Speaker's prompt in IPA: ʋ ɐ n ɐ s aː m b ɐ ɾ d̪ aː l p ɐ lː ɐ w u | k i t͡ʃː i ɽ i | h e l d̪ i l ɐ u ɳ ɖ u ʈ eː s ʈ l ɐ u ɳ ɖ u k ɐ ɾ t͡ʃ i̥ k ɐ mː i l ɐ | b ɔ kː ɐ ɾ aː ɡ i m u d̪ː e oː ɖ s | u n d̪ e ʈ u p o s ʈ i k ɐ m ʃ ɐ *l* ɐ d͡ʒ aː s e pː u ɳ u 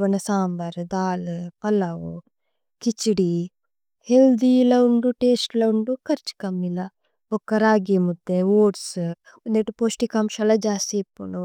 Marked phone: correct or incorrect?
correct